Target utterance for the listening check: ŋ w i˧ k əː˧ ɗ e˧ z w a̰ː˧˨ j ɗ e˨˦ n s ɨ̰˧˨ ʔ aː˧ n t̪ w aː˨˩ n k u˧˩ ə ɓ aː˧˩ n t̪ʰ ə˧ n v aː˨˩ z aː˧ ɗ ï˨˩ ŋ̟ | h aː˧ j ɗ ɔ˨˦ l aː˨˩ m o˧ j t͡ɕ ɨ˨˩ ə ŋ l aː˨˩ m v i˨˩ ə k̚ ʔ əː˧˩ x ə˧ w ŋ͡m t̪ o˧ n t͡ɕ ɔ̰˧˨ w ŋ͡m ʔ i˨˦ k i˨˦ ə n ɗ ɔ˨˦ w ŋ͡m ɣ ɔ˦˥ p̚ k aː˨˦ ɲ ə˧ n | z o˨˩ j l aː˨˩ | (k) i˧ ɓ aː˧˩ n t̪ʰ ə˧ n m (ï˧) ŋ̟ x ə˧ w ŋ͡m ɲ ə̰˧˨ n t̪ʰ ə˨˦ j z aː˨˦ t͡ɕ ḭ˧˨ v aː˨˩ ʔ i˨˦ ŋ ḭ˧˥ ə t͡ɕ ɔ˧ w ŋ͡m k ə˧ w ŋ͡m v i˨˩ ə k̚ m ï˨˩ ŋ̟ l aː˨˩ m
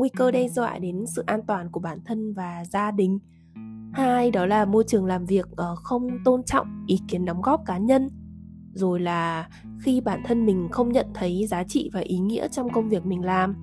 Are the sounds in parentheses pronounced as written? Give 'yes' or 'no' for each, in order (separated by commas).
no, no